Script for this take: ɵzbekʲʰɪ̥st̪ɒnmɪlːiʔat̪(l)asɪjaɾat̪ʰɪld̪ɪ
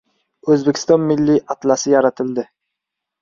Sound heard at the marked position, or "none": l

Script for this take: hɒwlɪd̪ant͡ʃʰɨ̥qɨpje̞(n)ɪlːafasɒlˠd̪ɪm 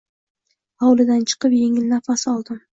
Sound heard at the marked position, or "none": ŋ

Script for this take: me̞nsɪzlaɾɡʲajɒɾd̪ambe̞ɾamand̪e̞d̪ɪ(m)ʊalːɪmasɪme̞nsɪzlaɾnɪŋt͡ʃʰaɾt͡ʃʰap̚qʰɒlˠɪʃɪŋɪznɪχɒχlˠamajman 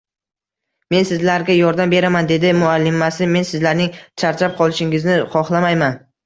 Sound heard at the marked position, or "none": m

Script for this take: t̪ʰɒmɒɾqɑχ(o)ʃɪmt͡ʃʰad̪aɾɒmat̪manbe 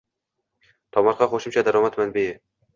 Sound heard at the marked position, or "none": o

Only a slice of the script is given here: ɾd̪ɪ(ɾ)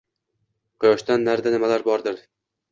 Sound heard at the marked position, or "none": ɾ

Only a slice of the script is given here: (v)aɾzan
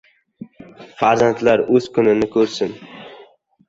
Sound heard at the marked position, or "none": f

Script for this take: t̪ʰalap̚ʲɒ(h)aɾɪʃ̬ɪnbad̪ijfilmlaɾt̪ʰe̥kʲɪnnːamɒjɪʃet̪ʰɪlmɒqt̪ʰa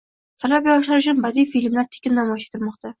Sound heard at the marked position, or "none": ʃ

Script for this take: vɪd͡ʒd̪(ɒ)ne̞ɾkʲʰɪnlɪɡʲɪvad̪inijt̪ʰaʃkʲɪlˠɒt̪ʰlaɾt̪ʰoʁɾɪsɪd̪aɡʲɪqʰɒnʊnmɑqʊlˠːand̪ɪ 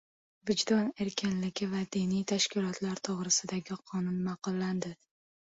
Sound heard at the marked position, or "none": ɒ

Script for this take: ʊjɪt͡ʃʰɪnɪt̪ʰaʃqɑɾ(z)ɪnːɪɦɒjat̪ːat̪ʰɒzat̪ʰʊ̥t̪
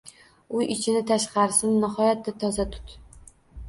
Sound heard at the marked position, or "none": s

